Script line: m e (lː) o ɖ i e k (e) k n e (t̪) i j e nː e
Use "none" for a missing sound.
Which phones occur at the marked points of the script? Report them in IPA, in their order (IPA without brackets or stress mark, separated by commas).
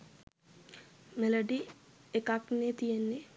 l, a, t̪